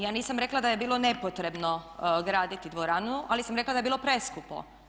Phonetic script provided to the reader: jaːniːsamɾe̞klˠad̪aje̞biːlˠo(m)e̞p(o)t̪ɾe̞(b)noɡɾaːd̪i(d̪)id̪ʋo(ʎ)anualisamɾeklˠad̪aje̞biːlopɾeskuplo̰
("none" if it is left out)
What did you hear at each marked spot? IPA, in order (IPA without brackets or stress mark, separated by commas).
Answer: n, o, b, t̪, ɾ